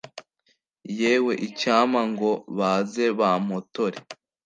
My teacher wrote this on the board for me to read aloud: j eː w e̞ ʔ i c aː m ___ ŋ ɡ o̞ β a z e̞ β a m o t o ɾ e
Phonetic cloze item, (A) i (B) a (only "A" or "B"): B